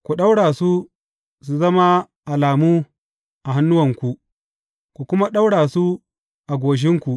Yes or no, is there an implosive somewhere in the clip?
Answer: yes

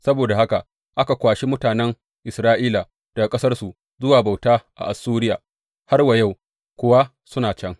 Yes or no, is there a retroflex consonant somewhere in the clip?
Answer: no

